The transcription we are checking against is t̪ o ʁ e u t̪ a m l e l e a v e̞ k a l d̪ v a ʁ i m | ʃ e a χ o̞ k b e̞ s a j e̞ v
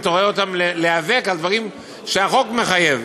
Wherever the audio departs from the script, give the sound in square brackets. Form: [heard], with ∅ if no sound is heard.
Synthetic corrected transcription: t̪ o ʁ e [o] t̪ a m l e l e a v e̞ k a l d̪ v a ʁ i m | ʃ e a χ o̞ k [m] e̞ [χ] a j e̞ v